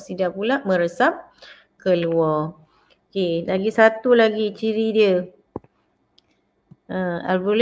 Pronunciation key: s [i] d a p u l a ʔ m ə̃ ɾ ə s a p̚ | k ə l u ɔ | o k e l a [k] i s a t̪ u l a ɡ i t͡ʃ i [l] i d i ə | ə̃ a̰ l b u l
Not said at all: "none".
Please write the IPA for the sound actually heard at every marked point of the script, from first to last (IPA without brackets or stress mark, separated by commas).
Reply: i, ɡ, ɾ